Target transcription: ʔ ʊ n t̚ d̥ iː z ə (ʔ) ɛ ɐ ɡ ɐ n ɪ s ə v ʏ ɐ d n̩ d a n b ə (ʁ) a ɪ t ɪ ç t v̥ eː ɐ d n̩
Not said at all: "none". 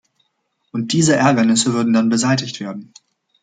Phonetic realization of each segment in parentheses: ʔ, z

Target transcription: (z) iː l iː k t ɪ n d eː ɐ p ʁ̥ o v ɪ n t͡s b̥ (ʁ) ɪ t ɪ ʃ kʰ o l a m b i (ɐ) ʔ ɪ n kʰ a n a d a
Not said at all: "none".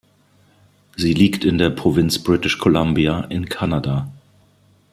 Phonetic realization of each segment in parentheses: z, ʁ, a

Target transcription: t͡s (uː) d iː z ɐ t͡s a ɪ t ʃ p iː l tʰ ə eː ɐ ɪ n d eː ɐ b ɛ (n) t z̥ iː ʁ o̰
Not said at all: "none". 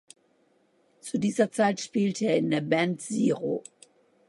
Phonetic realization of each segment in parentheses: u, n

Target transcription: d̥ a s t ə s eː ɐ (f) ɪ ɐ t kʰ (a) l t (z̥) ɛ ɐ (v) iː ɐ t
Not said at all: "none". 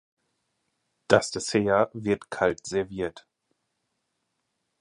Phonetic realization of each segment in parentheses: v, a, z̥, v

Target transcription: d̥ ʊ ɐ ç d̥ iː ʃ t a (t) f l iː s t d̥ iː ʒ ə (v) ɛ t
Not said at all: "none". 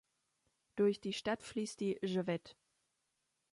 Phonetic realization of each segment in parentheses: t, v

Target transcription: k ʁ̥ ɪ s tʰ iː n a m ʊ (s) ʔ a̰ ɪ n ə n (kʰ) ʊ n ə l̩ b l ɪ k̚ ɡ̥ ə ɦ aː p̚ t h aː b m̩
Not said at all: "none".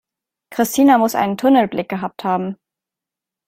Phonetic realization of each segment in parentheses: s, tʰ

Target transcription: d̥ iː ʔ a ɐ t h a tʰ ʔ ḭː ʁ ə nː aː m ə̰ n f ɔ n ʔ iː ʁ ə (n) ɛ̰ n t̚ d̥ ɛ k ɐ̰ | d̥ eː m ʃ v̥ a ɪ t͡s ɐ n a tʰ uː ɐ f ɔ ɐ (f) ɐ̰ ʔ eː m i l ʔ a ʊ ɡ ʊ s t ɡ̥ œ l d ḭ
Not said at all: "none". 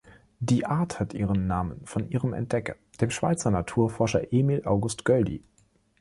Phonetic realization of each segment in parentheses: m, ʃ

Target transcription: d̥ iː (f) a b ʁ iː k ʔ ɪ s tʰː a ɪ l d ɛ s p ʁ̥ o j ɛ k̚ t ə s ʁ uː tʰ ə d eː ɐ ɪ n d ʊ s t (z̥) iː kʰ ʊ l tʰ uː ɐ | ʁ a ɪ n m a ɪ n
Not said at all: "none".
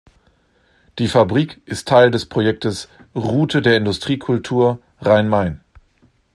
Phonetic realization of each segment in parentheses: f, ʁ̥

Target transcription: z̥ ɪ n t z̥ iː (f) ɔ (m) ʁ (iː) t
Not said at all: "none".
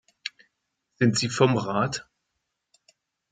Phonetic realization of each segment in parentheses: f, m, aː

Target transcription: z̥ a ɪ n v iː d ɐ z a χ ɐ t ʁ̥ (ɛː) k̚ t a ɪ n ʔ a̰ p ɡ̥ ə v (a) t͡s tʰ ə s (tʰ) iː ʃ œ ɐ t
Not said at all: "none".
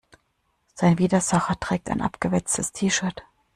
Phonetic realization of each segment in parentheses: ɛː, ɛ, tʰ

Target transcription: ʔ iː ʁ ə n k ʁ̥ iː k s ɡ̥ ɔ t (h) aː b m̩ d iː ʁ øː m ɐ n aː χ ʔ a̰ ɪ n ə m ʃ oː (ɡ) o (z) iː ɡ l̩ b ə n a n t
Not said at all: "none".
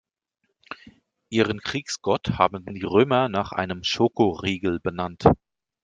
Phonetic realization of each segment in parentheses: h, k, ʁ

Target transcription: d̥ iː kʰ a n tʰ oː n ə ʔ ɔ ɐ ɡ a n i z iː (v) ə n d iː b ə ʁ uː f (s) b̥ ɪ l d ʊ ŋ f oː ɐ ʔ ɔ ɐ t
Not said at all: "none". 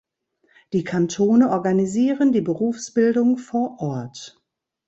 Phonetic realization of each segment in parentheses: ʁ, s

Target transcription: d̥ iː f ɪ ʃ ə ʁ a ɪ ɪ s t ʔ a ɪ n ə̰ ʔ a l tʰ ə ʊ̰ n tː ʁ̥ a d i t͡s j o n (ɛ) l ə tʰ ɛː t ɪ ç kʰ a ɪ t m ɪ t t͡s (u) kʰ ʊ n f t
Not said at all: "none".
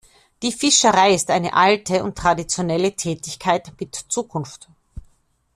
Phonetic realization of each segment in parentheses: ɛ, uː

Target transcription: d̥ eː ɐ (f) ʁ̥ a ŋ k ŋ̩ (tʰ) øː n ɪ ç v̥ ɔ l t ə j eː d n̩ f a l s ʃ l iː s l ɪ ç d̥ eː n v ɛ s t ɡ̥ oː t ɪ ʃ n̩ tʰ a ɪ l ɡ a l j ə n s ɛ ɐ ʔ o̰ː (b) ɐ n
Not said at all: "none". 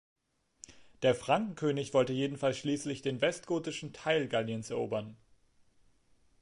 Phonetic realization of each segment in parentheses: f, kʰ, b

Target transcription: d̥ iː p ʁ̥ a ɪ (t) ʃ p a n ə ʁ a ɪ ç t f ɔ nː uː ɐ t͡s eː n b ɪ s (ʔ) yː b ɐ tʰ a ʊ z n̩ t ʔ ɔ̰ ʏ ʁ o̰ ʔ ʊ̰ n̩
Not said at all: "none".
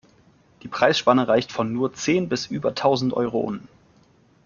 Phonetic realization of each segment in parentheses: s, ʔ

